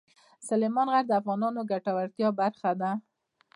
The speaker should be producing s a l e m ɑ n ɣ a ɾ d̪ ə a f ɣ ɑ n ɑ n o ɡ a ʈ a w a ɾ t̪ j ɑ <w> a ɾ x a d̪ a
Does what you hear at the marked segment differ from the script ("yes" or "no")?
yes